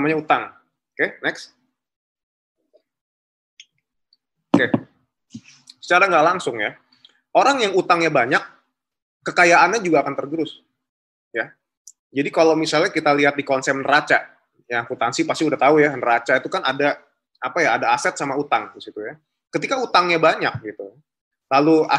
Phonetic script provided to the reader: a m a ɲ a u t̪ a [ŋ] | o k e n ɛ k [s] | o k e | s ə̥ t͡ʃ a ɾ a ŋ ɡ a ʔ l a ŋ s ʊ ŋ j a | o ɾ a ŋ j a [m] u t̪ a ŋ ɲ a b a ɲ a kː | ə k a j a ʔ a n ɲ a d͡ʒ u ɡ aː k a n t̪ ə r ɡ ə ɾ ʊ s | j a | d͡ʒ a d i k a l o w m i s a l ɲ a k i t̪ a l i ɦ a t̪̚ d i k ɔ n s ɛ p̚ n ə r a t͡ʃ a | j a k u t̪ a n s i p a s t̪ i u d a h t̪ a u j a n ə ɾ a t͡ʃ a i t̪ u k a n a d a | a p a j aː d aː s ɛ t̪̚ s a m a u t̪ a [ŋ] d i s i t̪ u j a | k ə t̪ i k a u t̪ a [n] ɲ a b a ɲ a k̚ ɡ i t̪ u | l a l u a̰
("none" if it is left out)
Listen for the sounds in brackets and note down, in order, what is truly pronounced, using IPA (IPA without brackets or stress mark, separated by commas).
ŋ, s, ŋ, ŋ, ŋ